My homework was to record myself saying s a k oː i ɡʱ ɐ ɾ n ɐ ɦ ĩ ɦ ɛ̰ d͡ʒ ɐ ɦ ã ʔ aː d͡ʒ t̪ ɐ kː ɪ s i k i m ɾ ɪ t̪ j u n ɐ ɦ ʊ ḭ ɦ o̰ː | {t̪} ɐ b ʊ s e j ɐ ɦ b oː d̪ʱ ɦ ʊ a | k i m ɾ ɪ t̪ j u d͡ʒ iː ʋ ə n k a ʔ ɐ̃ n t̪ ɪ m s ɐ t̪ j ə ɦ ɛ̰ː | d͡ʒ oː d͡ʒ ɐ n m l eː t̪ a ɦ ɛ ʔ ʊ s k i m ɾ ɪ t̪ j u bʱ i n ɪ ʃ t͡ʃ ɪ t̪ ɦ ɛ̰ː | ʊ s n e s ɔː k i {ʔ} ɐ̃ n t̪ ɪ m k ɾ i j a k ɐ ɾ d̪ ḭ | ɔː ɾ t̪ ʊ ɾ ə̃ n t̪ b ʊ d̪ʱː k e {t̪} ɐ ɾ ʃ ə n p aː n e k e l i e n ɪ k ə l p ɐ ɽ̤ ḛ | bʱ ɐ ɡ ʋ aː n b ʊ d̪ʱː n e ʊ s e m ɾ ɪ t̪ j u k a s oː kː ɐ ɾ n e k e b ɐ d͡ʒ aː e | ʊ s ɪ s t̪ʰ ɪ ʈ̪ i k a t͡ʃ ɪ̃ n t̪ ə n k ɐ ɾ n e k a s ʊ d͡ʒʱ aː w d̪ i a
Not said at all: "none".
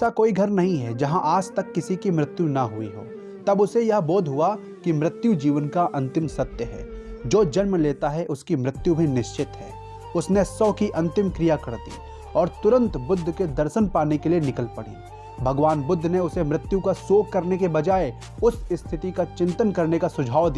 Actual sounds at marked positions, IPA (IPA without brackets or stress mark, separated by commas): t̪, ʔ, d̪